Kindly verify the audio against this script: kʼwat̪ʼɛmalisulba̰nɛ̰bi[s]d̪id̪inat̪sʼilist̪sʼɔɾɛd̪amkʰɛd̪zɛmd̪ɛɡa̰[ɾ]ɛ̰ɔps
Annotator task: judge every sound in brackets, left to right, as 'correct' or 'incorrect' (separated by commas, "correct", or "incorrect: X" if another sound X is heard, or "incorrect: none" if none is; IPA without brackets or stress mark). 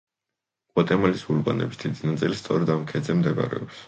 correct, correct